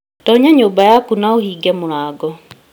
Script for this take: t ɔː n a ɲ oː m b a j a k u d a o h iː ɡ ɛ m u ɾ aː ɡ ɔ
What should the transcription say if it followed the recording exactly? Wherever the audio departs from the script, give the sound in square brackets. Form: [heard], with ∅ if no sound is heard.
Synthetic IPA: t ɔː [ɲ] a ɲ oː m b a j a k u [n] a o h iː ɡ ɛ m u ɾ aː ɡ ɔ